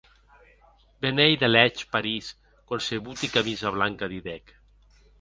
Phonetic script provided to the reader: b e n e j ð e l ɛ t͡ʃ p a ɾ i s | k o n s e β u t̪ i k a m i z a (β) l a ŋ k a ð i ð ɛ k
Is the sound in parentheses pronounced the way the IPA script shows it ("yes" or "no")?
yes